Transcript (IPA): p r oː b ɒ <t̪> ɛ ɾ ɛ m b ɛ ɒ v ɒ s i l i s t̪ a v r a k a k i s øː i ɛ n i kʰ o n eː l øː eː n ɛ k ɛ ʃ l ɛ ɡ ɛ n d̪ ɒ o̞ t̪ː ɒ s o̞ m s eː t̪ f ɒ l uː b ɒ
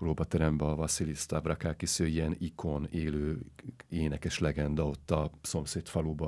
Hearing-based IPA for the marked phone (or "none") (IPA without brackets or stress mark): t̪